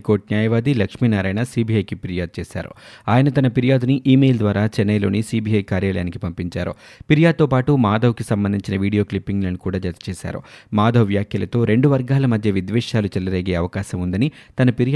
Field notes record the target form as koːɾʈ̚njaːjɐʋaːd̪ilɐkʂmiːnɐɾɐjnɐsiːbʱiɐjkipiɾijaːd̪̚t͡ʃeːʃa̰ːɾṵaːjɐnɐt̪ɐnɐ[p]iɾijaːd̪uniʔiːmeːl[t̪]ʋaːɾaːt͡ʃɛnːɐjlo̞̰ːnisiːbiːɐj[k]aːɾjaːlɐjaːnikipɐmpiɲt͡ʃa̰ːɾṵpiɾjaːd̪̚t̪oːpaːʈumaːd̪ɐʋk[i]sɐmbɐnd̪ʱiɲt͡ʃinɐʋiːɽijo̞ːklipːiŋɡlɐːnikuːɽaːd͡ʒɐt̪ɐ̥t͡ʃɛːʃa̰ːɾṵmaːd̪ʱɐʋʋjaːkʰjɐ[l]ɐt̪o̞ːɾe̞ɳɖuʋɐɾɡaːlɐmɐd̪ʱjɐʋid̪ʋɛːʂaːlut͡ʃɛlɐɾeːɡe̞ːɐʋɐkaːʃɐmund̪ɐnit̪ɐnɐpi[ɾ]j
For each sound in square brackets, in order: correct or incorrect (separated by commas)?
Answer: correct, incorrect, correct, correct, correct, correct